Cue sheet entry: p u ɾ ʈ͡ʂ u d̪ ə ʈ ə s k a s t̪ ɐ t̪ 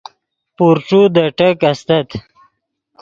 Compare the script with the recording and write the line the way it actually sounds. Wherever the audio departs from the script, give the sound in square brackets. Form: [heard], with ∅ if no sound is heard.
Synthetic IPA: p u ɾ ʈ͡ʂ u d̪ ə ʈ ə [∅] k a s t̪ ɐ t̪